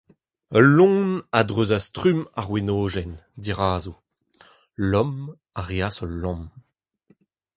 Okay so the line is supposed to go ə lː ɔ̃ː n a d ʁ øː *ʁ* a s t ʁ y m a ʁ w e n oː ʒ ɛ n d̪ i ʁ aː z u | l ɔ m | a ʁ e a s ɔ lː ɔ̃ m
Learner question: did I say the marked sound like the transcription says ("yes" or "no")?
no